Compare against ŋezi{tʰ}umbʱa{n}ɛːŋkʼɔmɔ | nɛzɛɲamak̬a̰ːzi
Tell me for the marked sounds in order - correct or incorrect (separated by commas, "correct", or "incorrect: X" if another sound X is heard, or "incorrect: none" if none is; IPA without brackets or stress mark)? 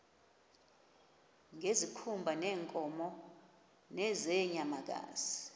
incorrect: kʰ, correct